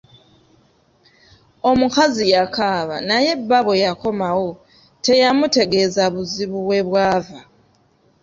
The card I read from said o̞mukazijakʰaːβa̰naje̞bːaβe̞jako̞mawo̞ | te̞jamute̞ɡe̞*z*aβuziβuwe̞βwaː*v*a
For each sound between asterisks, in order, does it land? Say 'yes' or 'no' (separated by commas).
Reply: yes, yes